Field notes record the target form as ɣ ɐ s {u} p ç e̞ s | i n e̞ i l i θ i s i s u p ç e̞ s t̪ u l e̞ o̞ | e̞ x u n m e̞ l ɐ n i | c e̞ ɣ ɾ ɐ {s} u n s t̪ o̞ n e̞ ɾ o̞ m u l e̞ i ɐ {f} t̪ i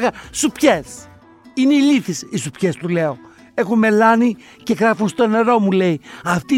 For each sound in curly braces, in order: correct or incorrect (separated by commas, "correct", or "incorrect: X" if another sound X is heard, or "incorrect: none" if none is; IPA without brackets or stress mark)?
correct, incorrect: f, correct